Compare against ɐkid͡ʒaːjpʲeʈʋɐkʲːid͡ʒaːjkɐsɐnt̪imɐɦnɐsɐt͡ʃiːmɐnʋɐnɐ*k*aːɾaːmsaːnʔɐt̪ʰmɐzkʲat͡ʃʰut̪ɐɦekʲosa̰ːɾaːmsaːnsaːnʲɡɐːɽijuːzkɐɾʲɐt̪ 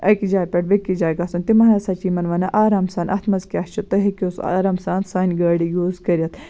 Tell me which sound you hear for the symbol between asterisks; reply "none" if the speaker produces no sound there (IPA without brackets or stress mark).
ʔ